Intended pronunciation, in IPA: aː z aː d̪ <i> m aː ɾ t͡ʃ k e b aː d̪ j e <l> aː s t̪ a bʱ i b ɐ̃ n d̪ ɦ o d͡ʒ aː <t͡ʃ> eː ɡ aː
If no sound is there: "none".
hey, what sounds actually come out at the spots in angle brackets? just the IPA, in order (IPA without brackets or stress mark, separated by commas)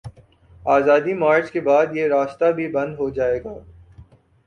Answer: i, ɾ, none